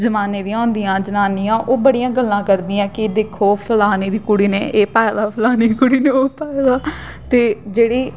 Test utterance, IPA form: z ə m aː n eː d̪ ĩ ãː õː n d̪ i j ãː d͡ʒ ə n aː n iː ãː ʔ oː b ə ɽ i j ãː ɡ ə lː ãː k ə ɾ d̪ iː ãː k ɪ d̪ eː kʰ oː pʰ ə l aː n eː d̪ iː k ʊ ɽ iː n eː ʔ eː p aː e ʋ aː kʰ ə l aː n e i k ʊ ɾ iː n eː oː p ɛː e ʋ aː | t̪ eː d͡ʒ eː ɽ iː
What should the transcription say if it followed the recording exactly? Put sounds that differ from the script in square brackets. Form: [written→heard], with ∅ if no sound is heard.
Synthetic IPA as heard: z ə m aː n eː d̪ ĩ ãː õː n d̪ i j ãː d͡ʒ ə n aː n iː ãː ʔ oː b ə ɽ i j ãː ɡ ə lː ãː k ə ɾ d̪ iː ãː k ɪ d̪ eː kʰ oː pʰ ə l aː n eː d̪ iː k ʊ ɽ iː n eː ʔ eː p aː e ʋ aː [kʰ→pʰ] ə l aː n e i k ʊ [ɾ→ɽ] iː n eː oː p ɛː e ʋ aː | t̪ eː d͡ʒ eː ɽ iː